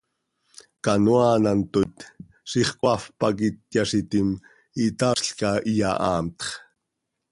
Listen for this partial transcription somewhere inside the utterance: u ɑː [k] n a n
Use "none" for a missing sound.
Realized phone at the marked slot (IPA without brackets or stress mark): none